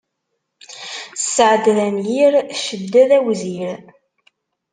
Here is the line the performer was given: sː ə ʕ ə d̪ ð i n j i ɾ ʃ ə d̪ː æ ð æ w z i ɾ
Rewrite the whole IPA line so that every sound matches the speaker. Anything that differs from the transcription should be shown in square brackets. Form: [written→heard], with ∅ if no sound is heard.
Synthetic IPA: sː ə ʕ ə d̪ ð [i→æ] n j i ɾ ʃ ə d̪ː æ ð æ w z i ɾ